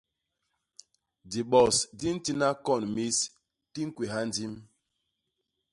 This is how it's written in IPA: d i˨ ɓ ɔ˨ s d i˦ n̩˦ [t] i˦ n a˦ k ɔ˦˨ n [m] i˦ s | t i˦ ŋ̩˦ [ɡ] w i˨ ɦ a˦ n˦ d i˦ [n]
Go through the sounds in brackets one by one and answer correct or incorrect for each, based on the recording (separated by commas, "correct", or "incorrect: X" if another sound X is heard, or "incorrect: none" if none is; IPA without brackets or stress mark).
correct, correct, incorrect: k, incorrect: m